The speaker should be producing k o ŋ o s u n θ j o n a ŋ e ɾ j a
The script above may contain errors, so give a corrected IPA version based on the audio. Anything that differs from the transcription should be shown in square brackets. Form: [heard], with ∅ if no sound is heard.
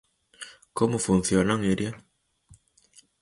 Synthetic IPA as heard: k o [m] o [f] u n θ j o n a ŋ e ɾ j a

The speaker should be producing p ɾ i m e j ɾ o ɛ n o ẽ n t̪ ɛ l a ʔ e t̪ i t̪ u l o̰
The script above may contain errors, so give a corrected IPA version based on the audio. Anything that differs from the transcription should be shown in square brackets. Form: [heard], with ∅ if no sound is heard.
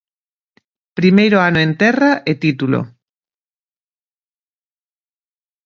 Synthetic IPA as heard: p ɾ i m e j ɾ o [a] n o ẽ n t̪ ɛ [r] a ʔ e t̪ i t̪ u l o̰

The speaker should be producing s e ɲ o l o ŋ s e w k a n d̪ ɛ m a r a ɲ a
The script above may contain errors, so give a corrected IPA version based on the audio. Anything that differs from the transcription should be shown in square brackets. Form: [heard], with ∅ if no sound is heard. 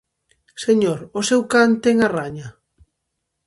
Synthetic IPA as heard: s e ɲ o [ɾ] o [∅] s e w k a n [t̪] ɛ [ŋ] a r a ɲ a

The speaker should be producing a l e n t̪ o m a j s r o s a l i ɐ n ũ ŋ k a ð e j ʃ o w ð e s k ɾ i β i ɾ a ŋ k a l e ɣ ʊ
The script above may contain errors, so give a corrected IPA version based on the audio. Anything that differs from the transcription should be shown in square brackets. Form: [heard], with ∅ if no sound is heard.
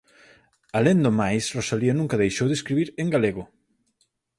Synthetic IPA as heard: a l e n [d̪] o m a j s r o s a l i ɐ n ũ ŋ k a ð e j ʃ o w ð e s k ɾ i β i ɾ [e] ŋ [ɡ] a l e ɣ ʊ

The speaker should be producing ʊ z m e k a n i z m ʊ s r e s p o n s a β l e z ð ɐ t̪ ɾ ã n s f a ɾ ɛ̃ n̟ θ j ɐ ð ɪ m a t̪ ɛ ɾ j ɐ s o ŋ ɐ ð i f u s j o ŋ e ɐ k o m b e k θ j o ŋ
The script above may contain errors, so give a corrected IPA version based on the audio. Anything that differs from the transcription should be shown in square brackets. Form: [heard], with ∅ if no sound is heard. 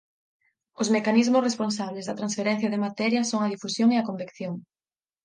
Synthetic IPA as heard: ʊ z m e k a n i z m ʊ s r e s p o n s a β l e z ð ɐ t̪ ɾ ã n s f [e] ɾ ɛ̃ n̟ θ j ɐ ð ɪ m a t̪ ɛ ɾ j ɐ s o ŋ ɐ ð i f u s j o ŋ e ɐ k o m b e k θ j o ŋ

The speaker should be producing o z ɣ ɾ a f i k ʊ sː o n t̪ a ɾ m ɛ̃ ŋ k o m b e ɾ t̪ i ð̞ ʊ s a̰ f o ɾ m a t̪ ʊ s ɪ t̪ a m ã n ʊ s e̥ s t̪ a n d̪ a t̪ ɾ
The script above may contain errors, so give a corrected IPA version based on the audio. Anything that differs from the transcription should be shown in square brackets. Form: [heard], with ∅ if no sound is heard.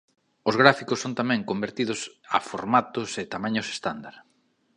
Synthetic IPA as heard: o z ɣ ɾ a f i k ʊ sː o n t̪ a [∅] m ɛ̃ ŋ k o m b e ɾ t̪ i ð̞ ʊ s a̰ f o ɾ m a t̪ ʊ s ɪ t̪ a m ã [ɲ] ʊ s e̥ s t̪ a n d̪ a [∅] ɾ

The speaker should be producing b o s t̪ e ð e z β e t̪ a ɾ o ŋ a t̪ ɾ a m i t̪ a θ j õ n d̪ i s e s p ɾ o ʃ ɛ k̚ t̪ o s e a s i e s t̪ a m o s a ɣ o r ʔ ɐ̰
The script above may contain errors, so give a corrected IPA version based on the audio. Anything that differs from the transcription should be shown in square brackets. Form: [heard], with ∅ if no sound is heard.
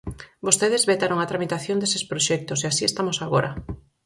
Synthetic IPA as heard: b o s t̪ e ð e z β e t̪ a ɾ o ŋ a t̪ ɾ a m i t̪ a θ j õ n d̪ [e] s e s p ɾ o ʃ ɛ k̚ t̪ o s e a s i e s t̪ a m o s a ɣ o [ɾ] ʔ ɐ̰

